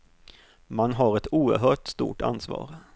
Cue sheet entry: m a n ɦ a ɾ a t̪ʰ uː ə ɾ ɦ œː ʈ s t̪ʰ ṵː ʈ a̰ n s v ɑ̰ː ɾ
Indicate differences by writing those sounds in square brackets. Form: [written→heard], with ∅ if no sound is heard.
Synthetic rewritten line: m a n ɦ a ɾ [a→ɛ] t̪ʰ uː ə ɾ ɦ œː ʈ s [t̪ʰ→t̪] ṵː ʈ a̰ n s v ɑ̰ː ɾ